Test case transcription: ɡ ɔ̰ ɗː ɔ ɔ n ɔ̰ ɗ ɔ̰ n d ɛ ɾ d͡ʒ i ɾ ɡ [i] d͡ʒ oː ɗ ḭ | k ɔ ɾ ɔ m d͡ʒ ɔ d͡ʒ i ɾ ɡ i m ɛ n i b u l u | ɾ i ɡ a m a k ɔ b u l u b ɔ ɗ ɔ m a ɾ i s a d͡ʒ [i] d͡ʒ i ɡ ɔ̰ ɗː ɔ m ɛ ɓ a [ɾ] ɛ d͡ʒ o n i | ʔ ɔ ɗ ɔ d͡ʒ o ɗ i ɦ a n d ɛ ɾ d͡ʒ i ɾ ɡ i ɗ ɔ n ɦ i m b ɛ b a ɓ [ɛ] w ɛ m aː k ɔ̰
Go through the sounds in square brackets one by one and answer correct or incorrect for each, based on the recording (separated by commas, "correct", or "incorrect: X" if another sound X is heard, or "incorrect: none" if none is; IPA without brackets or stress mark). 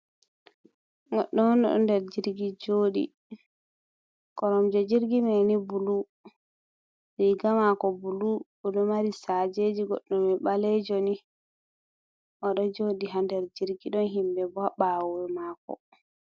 correct, incorrect: e, incorrect: l, incorrect: a